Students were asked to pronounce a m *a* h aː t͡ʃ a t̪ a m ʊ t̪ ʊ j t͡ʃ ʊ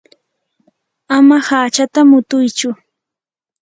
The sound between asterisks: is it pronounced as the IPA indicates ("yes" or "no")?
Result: yes